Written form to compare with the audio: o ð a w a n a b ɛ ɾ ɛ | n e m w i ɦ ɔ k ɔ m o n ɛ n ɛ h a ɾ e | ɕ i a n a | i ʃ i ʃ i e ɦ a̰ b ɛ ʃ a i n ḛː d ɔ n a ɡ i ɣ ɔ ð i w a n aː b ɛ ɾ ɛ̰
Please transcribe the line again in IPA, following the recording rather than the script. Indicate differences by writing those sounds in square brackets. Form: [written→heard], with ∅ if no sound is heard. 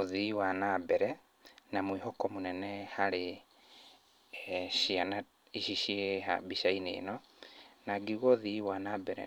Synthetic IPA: o ð [a→i] w a n a b ɛ ɾ ɛ | n [e→a] m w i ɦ ɔ k ɔ m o n ɛ n ɛ h a ɾ e | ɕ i a n a | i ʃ i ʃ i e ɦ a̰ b [ɛ→i] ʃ a i n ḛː [d→n] ɔ n a ɡ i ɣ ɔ ð i w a n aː b ɛ ɾ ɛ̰